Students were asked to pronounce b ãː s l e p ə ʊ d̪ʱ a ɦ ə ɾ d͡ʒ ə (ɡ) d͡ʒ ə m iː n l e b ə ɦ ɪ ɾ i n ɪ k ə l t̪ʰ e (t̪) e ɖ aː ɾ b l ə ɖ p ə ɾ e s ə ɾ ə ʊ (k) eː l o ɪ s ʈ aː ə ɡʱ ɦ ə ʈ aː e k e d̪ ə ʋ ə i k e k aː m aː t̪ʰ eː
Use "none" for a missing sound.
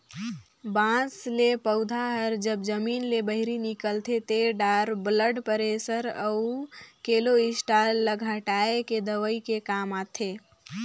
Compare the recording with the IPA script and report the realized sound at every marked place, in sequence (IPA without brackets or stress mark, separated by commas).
b, t̪, k